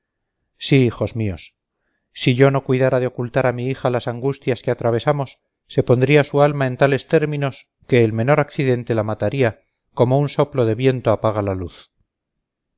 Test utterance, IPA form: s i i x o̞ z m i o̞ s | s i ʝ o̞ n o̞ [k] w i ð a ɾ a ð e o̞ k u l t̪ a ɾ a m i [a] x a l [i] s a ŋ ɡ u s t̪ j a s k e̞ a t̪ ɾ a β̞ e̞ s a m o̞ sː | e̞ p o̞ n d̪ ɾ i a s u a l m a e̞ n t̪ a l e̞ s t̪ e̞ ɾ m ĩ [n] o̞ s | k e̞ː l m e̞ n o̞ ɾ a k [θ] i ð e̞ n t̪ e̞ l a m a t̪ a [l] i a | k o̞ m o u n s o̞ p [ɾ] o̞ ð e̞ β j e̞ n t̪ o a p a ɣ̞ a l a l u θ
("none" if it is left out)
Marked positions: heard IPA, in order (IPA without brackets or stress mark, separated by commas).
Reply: k, i, a, n, θ, ɾ, l